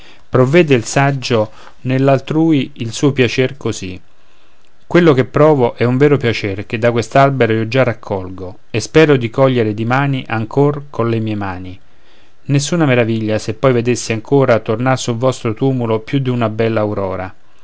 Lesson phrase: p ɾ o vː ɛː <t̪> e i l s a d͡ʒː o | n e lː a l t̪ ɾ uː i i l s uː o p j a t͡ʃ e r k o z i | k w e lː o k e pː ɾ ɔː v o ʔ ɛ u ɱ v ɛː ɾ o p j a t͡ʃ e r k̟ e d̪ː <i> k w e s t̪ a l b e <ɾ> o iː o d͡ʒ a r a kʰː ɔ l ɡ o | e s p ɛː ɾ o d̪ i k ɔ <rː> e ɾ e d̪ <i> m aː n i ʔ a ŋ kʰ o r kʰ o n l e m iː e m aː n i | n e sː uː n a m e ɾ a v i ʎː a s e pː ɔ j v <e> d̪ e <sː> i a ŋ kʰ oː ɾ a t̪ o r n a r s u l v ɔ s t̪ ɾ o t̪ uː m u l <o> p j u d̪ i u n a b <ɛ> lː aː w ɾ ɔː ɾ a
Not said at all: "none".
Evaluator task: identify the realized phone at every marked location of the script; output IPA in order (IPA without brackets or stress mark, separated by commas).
d̪, a, ɾ, ʎː, i, e, sː, o, ɛ